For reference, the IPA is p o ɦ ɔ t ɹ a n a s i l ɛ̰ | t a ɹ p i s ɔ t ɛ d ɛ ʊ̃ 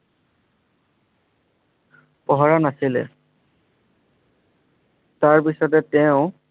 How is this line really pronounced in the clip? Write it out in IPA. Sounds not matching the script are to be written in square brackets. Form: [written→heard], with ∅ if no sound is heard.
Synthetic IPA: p [o→ɔ] ɦ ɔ [t→∅] ɹ a n a s i l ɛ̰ | t a ɹ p i s ɔ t ɛ [d→t] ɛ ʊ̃